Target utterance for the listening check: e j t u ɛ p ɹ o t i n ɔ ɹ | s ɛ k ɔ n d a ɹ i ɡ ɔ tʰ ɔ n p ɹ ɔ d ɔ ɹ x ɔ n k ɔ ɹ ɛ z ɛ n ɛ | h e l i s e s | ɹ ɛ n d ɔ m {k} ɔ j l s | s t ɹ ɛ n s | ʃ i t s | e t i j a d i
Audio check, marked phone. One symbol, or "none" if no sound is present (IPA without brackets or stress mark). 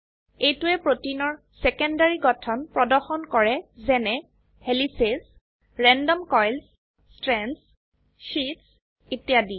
k